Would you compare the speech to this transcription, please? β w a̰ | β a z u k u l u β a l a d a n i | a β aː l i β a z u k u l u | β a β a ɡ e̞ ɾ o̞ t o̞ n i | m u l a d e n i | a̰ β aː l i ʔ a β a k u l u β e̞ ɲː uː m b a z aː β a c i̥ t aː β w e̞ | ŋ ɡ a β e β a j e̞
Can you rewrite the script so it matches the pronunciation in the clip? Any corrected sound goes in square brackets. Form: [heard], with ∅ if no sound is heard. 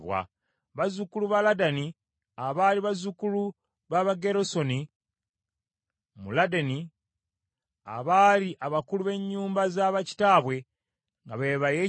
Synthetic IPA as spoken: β w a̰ | β a z u k u l u β a l a d a n i | a β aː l i β a z u k u l u | β a β a ɡ e̞ ɾ o̞ [s] o̞ n i | m u l a d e n i | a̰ β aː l i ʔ a β a k u l u β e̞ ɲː uː m b a z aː β a c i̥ t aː β w e̞ | ŋ ɡ a β e β a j e̞